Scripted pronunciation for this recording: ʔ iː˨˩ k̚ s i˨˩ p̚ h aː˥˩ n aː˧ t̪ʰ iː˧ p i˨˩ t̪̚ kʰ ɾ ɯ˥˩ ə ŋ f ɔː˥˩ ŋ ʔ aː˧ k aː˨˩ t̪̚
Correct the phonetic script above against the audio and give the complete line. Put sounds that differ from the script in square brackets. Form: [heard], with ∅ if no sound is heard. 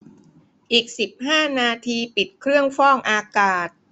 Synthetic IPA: ʔ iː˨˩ k̚ s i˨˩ p̚ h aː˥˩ n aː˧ t̪ʰ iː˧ p i˨˩ t̪̚ kʰ ɾ ɯ˥˩ ə ŋ f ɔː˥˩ ŋ ʔ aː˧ k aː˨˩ t̪̚